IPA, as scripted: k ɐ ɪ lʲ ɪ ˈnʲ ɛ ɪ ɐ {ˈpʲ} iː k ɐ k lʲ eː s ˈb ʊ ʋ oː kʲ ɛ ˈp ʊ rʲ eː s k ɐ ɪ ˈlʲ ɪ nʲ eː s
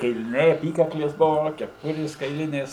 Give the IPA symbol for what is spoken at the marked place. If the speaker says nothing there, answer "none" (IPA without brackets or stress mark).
pʲ